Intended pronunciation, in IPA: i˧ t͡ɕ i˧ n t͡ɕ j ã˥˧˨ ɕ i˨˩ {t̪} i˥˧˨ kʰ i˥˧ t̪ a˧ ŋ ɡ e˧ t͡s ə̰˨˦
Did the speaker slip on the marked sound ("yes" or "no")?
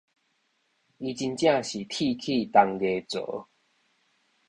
yes